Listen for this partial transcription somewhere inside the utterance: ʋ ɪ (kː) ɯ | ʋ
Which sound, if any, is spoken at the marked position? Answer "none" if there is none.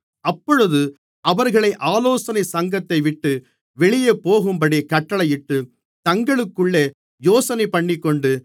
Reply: ʈː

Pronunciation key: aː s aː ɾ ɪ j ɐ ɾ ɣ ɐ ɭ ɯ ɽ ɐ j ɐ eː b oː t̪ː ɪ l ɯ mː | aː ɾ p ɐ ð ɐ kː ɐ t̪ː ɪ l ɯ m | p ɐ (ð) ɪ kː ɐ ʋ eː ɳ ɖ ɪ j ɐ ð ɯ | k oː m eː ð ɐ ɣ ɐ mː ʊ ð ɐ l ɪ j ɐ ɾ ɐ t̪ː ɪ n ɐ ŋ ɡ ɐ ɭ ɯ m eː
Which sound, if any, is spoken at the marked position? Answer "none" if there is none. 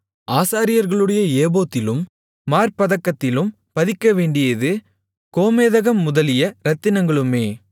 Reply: ð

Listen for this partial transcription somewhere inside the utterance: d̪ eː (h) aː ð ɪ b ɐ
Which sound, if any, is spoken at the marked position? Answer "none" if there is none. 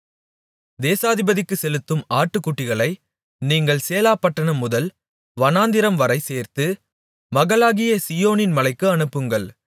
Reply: s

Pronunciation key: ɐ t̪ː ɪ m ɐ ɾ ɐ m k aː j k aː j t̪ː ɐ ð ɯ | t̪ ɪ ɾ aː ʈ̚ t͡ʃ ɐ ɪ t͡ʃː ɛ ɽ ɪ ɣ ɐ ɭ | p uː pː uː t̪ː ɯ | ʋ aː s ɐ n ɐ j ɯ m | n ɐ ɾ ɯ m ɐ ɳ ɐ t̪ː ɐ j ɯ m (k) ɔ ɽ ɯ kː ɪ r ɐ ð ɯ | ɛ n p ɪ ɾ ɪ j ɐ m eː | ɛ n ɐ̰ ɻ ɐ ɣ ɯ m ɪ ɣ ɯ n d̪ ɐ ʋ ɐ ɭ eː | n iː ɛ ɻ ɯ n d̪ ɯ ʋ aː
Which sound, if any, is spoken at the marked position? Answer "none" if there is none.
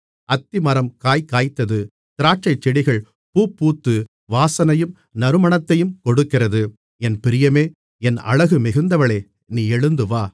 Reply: k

